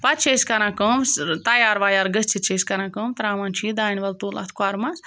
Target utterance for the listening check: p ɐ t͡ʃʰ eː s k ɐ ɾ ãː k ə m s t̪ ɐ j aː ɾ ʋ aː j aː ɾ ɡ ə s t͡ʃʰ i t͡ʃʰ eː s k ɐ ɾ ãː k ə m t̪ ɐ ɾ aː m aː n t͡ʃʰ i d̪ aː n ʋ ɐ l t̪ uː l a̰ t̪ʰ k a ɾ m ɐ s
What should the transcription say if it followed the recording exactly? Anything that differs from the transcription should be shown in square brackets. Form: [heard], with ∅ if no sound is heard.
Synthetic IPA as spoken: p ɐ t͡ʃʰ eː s k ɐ ɾ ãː k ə m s t̪ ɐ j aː ɾ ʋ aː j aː ɾ ɡ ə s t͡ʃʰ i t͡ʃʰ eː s k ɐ ɾ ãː k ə m t̪ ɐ ɾ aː m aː n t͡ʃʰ i d̪ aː n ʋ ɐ l t̪ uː l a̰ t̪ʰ k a ɾ m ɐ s